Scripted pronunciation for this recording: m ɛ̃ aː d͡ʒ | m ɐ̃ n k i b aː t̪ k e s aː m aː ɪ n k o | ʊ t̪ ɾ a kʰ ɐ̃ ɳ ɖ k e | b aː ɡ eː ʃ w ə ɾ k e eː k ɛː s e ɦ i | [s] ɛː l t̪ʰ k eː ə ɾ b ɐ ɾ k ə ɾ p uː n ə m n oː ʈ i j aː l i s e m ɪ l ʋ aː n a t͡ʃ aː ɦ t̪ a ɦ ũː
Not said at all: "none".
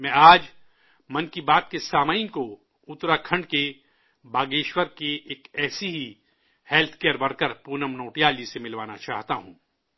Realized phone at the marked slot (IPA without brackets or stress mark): h